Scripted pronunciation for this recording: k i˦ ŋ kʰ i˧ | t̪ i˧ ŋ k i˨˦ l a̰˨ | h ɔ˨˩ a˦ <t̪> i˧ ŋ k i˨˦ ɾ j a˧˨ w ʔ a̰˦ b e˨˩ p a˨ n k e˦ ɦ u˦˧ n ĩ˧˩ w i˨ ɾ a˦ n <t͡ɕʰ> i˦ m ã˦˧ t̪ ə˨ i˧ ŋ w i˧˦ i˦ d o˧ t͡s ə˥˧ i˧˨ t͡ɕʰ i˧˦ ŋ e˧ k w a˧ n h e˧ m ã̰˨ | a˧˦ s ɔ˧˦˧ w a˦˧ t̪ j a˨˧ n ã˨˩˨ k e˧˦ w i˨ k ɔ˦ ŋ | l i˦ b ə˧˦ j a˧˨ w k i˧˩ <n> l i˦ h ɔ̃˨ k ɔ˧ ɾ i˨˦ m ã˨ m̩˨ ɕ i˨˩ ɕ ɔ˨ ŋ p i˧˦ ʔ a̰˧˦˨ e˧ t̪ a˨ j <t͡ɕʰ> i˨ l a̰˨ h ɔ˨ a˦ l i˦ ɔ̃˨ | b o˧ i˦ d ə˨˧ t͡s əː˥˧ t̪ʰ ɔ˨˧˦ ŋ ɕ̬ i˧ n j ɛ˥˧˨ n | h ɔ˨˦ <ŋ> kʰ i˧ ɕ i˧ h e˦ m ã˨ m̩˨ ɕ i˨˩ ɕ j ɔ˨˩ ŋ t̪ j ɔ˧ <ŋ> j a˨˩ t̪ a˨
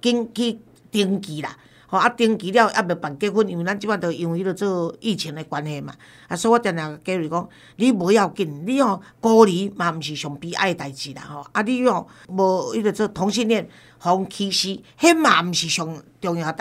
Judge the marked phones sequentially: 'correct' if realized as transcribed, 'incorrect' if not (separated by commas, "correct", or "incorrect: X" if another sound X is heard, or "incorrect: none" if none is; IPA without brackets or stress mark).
correct, incorrect: t͡ɕ, correct, incorrect: t͡ɕ, correct, correct